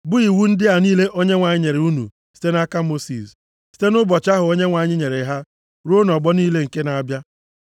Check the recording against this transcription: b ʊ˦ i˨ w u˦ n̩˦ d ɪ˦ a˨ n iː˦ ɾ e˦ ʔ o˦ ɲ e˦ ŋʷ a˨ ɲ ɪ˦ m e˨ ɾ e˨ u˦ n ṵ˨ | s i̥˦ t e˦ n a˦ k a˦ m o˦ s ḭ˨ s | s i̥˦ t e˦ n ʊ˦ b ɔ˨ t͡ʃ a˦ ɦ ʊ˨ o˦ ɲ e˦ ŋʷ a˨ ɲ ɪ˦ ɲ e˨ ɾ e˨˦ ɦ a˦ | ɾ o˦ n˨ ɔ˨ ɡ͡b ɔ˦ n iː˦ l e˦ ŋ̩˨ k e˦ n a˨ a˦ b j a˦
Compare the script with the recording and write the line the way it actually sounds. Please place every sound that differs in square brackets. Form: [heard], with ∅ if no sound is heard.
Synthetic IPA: b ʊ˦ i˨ w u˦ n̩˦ d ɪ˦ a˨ n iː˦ [l] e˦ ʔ o˦ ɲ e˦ ŋʷ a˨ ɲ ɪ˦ [ɲ] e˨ ɾ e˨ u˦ n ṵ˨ | s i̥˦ t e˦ n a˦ k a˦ m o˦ s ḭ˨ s | s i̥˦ t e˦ n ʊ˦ b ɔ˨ t͡ʃ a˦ ɦ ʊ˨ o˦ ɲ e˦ ŋʷ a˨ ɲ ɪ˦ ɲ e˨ ɾ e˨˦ ɦ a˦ | ɾ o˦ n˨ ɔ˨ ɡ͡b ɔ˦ n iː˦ l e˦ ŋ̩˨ k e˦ n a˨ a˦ b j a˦